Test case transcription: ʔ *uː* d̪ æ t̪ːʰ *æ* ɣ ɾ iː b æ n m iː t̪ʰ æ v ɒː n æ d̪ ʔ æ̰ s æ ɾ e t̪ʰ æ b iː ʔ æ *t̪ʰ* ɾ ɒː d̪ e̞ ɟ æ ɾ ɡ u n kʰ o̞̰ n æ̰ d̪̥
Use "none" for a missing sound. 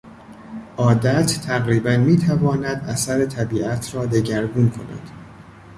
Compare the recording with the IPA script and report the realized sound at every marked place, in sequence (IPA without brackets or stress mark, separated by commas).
ɒː, æ, t̪ʰ